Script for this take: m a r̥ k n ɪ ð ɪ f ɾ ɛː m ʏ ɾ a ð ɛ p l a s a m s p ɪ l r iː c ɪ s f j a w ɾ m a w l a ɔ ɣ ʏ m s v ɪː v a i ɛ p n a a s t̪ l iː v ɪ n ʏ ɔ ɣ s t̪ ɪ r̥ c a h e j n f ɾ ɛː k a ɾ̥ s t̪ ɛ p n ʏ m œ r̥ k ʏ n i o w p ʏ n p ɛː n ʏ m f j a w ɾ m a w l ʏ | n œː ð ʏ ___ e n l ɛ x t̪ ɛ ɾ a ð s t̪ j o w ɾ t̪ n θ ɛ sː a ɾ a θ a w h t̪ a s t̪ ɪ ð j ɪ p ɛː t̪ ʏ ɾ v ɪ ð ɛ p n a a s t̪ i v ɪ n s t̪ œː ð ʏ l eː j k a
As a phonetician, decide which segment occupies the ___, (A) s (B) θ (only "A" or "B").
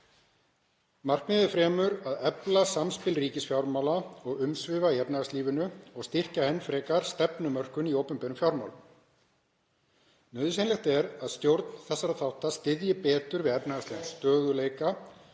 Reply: A